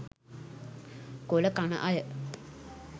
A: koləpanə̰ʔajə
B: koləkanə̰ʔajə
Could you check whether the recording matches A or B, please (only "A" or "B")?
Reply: B